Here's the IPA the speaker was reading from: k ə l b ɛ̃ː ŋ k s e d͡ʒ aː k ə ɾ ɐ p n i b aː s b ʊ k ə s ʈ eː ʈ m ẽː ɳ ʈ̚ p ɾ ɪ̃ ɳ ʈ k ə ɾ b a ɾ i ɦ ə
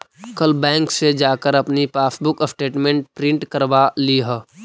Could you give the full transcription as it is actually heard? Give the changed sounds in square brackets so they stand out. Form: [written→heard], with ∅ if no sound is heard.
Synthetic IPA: k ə l b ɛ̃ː ŋ k s e d͡ʒ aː k ə ɾ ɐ p n i [b→p] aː s b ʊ k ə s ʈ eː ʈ m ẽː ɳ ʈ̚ p ɾ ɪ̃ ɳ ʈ k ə ɾ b a [ɾ→l] i ɦ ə